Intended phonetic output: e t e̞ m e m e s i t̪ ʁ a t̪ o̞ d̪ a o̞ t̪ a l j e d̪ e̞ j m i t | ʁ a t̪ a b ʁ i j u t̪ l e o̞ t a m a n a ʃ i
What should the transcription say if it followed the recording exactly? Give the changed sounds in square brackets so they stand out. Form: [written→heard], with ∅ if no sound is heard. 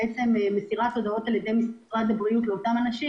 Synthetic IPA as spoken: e [t→t͡s] e̞ m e m e s i [t̪→∅] ʁ a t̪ o̞ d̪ a o̞ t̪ a l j e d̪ e̞ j m i [t→s] | ʁ a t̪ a b ʁ i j u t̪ l e o̞ t a m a n a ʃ i